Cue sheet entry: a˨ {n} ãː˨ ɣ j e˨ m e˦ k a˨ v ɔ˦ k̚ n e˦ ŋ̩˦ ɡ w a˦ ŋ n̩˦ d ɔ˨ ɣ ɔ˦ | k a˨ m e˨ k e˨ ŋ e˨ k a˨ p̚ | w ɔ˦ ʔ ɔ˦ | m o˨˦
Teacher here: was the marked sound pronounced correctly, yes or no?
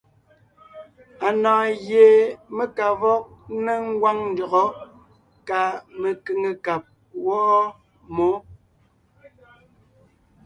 yes